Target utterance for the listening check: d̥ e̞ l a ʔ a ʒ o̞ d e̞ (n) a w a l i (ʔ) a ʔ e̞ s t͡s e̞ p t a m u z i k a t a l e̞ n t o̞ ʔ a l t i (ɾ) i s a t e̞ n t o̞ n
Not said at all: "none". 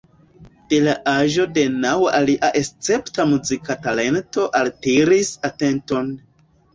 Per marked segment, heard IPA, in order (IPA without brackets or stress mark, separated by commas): n, ʔ, ɾ